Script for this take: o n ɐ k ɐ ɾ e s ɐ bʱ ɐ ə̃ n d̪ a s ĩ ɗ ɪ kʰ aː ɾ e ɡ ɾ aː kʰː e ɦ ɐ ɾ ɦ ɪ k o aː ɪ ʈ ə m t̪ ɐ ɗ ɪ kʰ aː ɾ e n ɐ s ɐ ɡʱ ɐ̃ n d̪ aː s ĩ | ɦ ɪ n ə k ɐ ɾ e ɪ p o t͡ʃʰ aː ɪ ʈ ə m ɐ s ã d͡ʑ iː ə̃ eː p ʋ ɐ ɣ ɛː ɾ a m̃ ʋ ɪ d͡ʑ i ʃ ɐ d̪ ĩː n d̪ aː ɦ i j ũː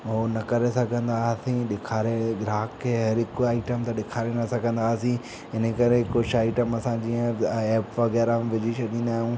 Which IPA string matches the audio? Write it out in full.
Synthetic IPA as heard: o n ɐ k ɐ ɾ e s ɐ ɡʱ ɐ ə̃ n d̪ a s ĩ ɗ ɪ kʰ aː ɾ e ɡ ɾ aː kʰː e ɦ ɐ ɾ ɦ ɪ k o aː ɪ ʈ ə m t̪ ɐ ɗ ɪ kʰ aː ɾ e n ɐ s ɐ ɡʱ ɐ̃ n d̪ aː s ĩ | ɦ ɪ n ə k ɐ ɾ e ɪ k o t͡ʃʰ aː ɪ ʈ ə m ɐ s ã d͡ʑ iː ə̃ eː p ʋ ɐ ɣ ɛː ɾ a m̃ ʋ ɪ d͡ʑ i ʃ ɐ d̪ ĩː n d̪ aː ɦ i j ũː